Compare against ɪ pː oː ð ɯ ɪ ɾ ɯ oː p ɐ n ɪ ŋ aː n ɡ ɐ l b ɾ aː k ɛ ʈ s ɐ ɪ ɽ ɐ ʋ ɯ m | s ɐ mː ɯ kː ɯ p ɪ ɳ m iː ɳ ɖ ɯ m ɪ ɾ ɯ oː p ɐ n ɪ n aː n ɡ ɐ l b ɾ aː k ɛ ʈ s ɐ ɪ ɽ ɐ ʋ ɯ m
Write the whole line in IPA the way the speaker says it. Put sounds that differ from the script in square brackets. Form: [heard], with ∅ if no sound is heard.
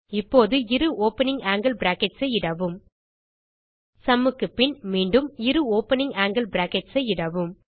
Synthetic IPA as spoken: ɪ pː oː ð ɯ ɪ ɾ ɯ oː p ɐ n ɪ ŋ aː [ŋ] ɡ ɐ l b ɾ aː k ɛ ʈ s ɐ ɪ ɽ ɐ ʋ ɯ m | s ɐ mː ɯ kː ɯ p ɪ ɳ m iː ɳ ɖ ɯ m ɪ ɾ ɯ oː p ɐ n ɪ [ŋ] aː [ŋ] ɡ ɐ l b ɾ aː k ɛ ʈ s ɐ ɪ ɽ ɐ ʋ ɯ m